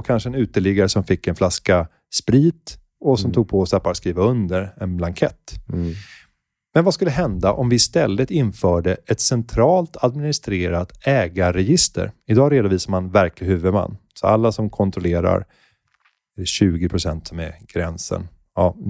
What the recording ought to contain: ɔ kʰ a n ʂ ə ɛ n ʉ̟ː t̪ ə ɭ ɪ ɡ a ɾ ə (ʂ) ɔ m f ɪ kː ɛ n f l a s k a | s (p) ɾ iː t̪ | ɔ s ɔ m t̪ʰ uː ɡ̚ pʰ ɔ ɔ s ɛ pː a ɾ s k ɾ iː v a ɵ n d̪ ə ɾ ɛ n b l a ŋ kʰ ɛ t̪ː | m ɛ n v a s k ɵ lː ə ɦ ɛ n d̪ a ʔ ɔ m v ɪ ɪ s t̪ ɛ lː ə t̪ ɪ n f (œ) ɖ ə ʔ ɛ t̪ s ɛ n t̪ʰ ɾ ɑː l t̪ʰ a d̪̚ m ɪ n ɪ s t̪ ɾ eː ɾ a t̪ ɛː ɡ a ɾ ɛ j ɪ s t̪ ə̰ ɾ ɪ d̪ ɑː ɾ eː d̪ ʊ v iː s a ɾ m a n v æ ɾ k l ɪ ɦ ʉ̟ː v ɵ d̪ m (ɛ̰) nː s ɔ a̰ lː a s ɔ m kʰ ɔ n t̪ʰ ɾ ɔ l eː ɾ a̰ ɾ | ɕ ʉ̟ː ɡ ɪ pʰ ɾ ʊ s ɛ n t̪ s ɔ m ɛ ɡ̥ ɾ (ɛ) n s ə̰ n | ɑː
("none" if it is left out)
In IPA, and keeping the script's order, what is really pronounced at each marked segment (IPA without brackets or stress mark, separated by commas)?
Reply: s, p, œː, a̰, ɛ